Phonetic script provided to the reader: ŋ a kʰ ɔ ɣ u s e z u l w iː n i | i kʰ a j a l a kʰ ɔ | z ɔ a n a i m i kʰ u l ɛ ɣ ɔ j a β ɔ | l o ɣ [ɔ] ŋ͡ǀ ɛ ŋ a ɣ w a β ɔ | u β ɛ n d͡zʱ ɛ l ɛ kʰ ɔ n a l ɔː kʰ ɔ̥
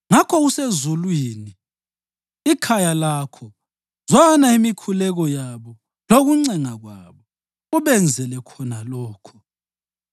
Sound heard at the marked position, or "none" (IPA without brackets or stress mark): u